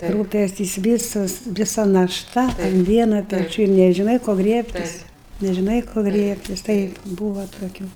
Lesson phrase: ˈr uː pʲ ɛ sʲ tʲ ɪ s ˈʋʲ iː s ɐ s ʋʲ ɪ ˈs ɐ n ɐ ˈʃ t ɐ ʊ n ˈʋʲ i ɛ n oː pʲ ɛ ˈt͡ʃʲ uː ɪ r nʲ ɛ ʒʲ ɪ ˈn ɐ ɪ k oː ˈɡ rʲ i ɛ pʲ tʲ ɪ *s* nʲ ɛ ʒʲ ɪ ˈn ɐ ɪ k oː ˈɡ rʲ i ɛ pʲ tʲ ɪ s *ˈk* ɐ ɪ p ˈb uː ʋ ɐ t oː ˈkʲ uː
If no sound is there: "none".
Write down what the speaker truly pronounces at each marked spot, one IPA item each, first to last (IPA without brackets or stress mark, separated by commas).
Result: s, t